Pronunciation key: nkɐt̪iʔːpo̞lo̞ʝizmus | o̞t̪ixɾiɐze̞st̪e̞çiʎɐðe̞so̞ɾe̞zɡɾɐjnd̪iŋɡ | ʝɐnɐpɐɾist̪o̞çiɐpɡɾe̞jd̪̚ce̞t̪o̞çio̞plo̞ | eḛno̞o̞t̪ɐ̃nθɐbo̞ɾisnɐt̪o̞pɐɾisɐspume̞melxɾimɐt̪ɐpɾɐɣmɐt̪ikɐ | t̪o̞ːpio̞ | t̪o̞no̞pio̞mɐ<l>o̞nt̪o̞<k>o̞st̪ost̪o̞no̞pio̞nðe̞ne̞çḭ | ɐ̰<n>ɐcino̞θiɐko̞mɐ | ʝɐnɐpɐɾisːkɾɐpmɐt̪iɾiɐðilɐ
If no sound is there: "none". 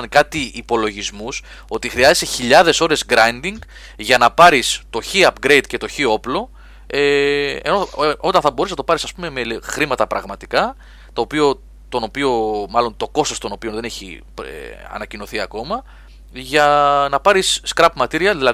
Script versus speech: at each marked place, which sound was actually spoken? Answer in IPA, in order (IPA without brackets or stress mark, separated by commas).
l, k, n